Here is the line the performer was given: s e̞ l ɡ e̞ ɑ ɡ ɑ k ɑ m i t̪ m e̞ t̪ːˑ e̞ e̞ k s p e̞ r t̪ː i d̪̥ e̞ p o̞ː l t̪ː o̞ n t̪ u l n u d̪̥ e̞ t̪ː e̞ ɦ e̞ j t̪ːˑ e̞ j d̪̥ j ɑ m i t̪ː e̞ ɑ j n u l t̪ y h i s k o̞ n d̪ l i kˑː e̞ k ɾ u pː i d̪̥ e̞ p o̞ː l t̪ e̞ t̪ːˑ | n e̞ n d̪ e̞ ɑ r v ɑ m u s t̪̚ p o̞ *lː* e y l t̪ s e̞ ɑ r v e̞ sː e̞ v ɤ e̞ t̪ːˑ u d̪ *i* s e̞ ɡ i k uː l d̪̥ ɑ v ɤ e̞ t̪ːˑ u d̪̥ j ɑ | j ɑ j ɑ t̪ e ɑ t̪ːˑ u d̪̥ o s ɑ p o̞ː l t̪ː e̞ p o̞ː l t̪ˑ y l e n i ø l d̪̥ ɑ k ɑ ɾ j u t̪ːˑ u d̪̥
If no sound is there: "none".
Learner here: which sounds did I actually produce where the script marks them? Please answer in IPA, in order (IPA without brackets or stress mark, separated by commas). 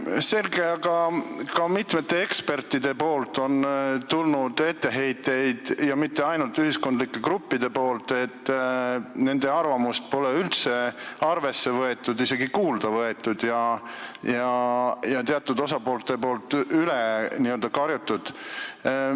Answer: l, i